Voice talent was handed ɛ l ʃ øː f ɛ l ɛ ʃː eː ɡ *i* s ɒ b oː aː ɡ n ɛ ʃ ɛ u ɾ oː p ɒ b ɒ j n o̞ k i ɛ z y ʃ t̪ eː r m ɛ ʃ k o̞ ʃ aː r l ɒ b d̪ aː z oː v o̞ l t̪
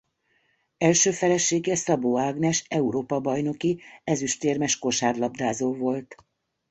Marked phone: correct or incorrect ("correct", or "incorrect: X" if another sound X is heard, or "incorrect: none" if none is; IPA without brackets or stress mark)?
incorrect: ɛ